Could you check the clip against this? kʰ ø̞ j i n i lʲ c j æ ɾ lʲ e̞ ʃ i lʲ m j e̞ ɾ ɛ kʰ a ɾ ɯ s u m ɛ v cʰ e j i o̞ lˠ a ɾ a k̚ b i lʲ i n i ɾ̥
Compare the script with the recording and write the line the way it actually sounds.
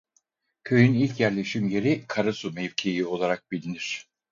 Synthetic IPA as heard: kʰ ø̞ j y n i lʲ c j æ ɾ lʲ e̞ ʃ i m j e̞ ɾ i kʰ a ɾ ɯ s u m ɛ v cʰ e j i o̞ lˠ a ɾ a k̚ b i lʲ i n i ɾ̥